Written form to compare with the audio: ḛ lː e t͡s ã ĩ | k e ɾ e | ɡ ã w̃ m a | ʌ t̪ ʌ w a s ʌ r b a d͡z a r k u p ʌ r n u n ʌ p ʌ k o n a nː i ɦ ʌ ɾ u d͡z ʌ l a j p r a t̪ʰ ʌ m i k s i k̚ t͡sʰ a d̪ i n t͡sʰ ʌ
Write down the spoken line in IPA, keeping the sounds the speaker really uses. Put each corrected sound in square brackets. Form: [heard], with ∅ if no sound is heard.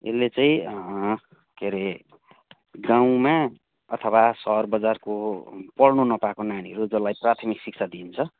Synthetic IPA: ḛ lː e t͡s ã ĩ | k e ɾ e | ɡ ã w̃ m a | ʌ [t̪ʰ] ʌ w a s ʌ r b [ʌ] d͡z a r k [o] p ʌ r n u n ʌ p [a] k o n a [n] i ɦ ʌ ɾ u d͡z ʌ l a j p r a t̪ʰ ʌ m i k s i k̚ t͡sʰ a d̪ i n t͡sʰ ʌ